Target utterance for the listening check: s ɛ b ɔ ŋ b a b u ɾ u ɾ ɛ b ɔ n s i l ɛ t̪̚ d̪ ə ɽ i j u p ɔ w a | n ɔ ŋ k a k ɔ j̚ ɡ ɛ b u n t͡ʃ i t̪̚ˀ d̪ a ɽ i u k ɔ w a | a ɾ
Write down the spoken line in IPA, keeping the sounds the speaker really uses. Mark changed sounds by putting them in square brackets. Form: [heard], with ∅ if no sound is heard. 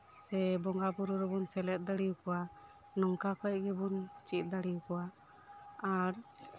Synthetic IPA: s ɛ b ɔ ŋ [ɡ] a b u ɾ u ɾ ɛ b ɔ n s [ɛ] l ɛ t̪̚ d̪ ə ɽ i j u [k] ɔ w a | n ɔ ŋ k a k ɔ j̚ ɡ ɛ b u n t͡ʃ i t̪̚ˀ d̪ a ɽ i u k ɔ w a | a ɾ